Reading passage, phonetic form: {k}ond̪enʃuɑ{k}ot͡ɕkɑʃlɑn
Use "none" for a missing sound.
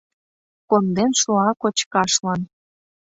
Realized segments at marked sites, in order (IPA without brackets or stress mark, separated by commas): k, k